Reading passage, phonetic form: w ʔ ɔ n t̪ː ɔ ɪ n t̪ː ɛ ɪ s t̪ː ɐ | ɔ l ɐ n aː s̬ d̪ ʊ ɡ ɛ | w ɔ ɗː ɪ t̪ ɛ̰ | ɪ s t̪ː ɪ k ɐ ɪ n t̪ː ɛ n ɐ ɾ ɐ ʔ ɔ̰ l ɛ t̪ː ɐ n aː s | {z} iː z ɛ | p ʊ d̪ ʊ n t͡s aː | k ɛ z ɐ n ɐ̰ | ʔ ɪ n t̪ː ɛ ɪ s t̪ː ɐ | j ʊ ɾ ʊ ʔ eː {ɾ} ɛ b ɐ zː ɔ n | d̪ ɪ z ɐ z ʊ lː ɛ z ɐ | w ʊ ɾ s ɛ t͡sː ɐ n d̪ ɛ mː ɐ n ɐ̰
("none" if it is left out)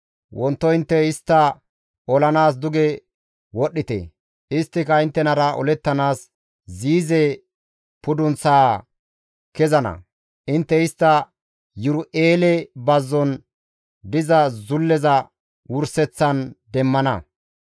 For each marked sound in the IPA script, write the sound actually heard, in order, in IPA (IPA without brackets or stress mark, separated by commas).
z, l